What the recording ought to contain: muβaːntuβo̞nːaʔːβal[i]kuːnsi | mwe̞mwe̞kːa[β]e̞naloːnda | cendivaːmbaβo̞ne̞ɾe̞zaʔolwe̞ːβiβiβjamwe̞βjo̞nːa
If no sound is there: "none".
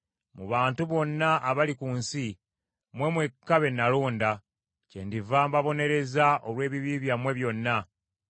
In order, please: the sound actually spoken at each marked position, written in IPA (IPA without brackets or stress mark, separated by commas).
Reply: i, β